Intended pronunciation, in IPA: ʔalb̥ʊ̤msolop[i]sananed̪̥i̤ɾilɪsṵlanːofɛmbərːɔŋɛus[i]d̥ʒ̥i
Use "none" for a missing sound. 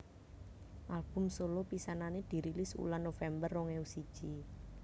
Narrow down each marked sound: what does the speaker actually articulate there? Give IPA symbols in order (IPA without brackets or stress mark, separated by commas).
i, i